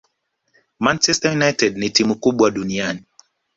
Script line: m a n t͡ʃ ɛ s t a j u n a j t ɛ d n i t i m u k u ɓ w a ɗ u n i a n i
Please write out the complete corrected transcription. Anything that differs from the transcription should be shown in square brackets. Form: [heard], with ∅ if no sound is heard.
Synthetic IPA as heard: m a n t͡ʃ ɛ s t a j u n a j t ɛ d n i t i m u k u ɓ w a ɗ u n i a n i